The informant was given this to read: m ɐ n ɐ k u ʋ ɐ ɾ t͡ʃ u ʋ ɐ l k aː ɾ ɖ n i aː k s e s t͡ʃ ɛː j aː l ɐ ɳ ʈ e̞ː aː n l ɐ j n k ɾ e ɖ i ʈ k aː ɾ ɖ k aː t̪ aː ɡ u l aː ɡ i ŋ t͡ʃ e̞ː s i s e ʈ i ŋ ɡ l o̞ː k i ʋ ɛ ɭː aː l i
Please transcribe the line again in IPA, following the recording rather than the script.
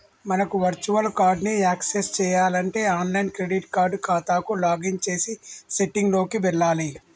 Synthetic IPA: m ɐ n ɐ k u ʋ ɐ ɾ t͡ʃ u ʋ ɐ l k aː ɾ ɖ n i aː k s e s t͡ʃ ɛː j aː l ɐ ɳ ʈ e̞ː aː n l ɐ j n k ɾ e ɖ i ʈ k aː ɾ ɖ k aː t̪ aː k u l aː ɡ i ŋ t͡ʃ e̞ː s i s e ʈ i ŋ ɡ l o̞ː k i ʋ ɛ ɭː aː l i